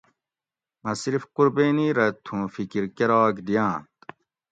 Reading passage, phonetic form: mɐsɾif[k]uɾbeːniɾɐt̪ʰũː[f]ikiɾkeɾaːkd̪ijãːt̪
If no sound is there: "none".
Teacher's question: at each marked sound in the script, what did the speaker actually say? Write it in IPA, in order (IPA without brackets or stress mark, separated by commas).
q, f